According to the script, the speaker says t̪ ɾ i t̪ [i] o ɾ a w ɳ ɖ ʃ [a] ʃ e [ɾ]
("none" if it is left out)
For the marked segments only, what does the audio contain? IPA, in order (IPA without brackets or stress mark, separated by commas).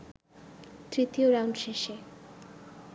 i, e, none